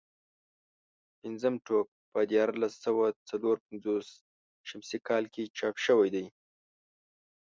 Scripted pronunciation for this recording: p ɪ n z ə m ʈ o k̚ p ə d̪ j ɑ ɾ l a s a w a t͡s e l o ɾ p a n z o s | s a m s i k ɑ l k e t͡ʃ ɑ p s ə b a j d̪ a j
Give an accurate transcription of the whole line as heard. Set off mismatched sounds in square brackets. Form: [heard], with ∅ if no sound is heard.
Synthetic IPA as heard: p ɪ n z ə m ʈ o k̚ p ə d̪ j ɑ ɾ l a s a w a t͡s [a] l o ɾ p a n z o s | [ʃ] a m s i k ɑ l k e t͡ʃ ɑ p [ʃ] ə [w] a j d̪ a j